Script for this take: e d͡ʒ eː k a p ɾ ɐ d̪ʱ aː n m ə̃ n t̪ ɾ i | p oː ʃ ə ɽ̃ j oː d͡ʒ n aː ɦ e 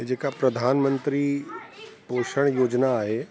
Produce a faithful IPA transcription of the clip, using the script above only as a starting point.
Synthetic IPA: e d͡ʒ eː k a p ɾ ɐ d̪ʱ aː n m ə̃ n t̪ ɾ i | p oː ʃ ə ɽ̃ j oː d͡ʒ n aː ɦ e

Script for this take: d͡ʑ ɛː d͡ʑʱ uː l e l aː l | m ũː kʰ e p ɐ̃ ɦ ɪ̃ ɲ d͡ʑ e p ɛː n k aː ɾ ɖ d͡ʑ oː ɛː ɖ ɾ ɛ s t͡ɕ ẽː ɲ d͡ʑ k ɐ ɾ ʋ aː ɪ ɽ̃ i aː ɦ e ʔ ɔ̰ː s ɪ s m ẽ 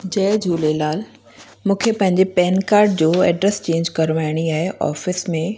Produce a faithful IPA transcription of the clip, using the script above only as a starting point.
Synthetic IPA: d͡ʑ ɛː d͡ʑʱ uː l e l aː l | m ũː kʰ e p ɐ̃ ɦ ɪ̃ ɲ d͡ʑ e p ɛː n k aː ɾ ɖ d͡ʑ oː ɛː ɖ ɾ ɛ s t͡ɕ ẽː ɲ d͡ʑ k ɐ ɾ ʋ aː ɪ ɽ̃ i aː ɦ e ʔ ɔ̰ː f ɪ s m ẽ

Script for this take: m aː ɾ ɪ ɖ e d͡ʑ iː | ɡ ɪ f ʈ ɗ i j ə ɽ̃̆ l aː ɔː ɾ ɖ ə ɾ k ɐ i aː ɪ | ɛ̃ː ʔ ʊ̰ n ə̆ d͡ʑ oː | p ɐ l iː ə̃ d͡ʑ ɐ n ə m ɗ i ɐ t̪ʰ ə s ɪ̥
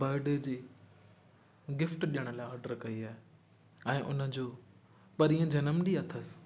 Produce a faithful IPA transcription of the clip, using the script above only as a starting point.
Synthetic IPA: b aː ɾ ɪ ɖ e d͡ʑ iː | ɡ ɪ f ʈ ɗ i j ə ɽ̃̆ l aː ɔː ɾ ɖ ə ɾ k ɐ i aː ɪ | ɛ̃ː ʔ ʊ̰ n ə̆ d͡ʑ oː | p ɐ ɾ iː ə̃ d͡ʑ ɐ n ə m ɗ i ɐ t̪ʰ ə s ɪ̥

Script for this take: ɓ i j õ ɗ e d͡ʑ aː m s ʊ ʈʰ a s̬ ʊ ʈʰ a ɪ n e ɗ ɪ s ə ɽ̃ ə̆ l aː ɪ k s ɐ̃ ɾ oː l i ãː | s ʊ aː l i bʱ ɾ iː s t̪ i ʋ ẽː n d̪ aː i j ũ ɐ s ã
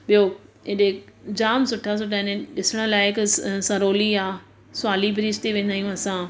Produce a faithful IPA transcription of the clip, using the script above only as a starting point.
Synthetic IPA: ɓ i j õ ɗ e d͡ʑ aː m s ʊ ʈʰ a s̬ ʊ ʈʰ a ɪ n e ɗ ɪ s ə ɽ̃ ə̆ l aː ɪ k s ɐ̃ ɾ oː l i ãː | s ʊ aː l i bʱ ɾ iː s t̪ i ʋ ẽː n d̪ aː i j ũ ɐ s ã

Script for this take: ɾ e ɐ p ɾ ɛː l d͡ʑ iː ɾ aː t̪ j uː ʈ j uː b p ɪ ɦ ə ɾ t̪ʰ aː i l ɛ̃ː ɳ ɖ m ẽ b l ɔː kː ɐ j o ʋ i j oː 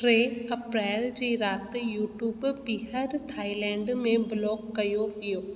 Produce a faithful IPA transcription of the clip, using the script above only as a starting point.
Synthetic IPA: ɾ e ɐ p ɾ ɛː l d͡ʑ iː ɾ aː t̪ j uː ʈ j uː b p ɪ ɦ ə ɾ t̪ʰ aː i l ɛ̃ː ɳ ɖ m ẽ b l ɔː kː ɐ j o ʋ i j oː

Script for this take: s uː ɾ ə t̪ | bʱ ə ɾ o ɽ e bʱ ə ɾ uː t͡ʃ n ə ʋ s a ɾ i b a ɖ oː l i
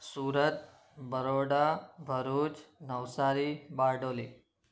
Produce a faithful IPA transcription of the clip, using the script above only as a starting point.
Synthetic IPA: s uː ɾ ə t̪ | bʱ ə ɾ o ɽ a bʱ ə ɾ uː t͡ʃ n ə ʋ s a ɾ i b a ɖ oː l i

